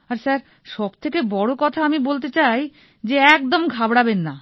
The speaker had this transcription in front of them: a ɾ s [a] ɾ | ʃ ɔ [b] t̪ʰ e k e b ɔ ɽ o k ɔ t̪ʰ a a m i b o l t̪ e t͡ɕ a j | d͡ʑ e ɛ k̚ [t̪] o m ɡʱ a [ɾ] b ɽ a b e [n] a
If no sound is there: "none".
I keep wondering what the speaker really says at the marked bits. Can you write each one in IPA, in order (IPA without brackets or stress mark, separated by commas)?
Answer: a, b, d̪, none, nː